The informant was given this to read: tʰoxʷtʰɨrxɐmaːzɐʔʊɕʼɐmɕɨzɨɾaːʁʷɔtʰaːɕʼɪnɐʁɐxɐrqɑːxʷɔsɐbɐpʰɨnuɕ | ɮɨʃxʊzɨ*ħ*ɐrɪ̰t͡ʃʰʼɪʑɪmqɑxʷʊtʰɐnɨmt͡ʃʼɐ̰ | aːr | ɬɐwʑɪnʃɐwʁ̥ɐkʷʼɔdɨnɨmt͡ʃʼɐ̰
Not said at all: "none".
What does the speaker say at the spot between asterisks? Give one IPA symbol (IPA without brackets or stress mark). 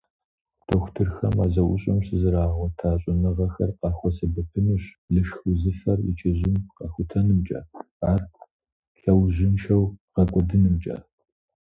f